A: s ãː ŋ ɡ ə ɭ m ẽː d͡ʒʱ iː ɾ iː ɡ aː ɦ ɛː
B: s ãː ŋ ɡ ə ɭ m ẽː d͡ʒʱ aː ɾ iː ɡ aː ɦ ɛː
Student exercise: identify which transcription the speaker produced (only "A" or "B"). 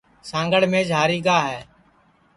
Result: B